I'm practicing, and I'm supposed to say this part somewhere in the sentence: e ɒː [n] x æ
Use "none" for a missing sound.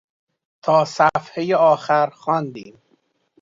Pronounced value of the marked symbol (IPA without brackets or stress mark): none